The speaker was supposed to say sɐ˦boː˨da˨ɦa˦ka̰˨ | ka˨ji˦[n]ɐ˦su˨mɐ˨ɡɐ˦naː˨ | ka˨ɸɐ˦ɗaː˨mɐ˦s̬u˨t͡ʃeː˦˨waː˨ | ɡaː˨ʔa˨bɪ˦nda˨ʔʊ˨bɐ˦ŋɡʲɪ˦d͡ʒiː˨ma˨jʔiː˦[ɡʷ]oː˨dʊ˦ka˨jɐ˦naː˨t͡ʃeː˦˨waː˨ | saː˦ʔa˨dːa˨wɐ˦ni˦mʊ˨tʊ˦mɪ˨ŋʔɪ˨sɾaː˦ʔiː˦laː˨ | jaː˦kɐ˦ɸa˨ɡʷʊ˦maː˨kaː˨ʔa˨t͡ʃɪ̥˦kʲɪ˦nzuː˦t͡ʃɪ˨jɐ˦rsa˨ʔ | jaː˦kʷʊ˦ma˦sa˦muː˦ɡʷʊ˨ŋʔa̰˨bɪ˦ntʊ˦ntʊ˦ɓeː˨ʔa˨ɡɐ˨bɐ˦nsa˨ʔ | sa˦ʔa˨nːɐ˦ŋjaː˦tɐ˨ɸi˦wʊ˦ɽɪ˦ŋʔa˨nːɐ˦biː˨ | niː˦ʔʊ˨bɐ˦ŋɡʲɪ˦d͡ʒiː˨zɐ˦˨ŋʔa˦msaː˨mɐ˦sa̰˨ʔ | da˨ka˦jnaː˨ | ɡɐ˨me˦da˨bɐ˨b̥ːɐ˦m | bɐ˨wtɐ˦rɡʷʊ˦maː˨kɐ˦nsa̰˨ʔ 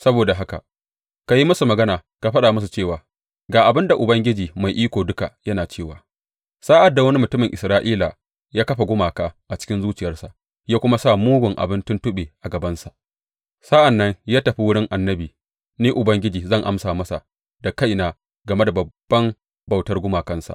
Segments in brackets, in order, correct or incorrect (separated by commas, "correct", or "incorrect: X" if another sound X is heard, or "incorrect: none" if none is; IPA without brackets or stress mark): incorrect: m, incorrect: kʷ